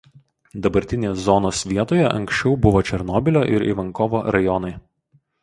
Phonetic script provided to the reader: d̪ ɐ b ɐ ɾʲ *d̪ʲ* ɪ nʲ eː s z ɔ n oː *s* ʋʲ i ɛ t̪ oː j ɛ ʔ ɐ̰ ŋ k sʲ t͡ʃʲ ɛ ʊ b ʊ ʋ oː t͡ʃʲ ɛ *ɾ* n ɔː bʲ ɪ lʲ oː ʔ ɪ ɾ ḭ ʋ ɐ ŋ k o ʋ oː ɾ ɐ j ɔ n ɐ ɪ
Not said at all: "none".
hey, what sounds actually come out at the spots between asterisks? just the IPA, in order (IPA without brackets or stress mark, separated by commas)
t̪ʲ, s, ɾ